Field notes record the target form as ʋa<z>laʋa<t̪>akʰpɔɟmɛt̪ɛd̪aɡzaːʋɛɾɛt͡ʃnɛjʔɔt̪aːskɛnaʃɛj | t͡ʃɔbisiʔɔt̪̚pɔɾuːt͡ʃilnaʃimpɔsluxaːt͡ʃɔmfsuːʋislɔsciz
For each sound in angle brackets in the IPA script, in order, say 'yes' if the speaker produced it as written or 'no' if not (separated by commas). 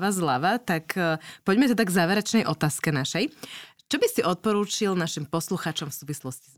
yes, yes